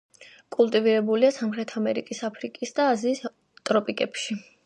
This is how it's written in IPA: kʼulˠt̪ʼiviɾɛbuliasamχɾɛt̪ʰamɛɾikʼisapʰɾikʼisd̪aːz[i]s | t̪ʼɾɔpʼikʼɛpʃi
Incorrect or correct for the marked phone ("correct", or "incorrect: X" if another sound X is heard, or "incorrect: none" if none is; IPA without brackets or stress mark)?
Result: incorrect: iː